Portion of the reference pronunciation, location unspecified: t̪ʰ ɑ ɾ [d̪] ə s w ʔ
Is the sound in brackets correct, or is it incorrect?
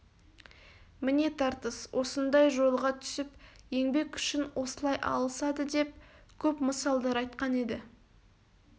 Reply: incorrect